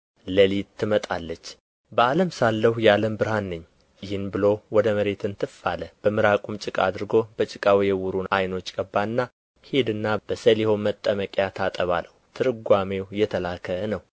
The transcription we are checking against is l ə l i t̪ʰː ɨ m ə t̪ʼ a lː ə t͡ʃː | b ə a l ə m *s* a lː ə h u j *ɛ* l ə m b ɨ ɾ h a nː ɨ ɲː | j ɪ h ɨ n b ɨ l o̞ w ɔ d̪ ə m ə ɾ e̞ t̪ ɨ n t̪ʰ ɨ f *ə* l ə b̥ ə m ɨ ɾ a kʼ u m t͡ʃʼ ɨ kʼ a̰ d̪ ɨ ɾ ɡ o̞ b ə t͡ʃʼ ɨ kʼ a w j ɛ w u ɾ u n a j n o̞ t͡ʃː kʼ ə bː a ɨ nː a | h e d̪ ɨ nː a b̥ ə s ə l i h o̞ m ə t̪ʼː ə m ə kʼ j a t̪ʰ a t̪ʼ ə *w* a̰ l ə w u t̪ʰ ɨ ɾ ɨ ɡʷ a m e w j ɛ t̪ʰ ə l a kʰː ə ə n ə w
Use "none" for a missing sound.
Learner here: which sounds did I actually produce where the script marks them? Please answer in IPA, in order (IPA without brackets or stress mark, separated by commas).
s, a, a, β